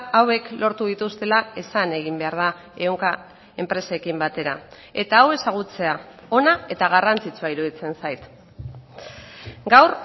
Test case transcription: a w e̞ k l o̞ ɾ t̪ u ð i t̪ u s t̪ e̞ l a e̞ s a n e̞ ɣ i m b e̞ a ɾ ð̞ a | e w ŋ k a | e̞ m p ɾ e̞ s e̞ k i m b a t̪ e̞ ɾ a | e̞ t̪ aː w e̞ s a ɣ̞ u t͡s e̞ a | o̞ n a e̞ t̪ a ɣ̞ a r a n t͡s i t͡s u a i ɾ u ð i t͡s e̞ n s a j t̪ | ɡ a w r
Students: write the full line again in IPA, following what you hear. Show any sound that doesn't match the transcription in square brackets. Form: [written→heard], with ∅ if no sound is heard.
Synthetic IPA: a w e̞ k l o̞ ɾ t̪ u ð i t̪ u s t̪ e̞ l a e̞ s a n e̞ ɣ i m b e̞ a ɾ ð̞ a | e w ŋ k a | e̞ m p ɾ e̞ s e̞ k i m b a t̪ e̞ ɾ a | e̞ t̪ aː w e̞ s a ɣ̞ u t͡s e̞ a | o̞ n a e̞ t̪ a ɣ̞ a r a n t͡s i t͡s u a i ɾ u ð i t͡s e̞ n s a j t̪ | ɡ a w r

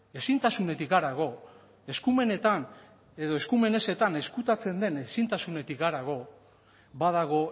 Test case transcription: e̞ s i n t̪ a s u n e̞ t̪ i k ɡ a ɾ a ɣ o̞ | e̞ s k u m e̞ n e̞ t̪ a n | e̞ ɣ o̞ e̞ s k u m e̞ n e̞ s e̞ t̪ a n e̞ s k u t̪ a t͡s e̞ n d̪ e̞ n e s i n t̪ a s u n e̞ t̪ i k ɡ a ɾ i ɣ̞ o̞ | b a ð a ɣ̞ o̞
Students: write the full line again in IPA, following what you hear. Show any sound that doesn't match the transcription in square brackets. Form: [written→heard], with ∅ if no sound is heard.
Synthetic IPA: e̞ s i n t̪ a s u n e̞ t̪ i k ɡ a ɾ a ɣ o̞ | e̞ s k u m e̞ n e̞ t̪ a n | e̞ [ɣ→ð] o̞ e̞ s k u m e̞ n e̞ s e̞ t̪ a n e̞ s k u t̪ a t͡s e̞ n d̪ e̞ n e s i n t̪ a s u n e̞ t̪ i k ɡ a ɾ [i→a] ɣ̞ o̞ | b a ð a ɣ̞ o̞

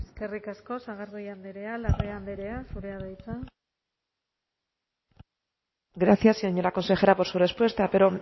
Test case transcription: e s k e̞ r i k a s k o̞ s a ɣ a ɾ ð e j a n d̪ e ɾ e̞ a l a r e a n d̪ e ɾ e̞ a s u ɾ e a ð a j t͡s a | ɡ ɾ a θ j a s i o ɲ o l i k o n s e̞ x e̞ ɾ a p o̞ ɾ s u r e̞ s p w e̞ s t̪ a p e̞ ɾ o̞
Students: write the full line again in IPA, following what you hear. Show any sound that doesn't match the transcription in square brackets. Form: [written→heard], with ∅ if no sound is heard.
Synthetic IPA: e s k e̞ r i k a s k o̞ s a ɣ a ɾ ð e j a n d̪ e ɾ e̞ a l a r e a n d̪ e ɾ e̞ a s u ɾ e a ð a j t͡s a | ɡ ɾ a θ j a s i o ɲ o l [i→a] k o n s e̞ x e̞ ɾ a p o̞ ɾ s u r e̞ s p w e̞ s t̪ a p e̞ ɾ o̞

